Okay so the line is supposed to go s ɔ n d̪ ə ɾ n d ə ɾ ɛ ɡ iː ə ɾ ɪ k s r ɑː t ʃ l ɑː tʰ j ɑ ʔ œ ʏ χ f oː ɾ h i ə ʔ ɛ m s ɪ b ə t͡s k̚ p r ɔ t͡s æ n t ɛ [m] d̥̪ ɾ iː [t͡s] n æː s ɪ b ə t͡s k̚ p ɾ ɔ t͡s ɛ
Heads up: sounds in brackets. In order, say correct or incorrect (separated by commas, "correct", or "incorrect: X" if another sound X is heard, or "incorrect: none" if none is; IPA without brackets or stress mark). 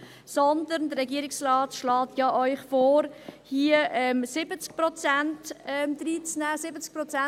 correct, correct